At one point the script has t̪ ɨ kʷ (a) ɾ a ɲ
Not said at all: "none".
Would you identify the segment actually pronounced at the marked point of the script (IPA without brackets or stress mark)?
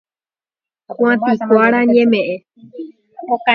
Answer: a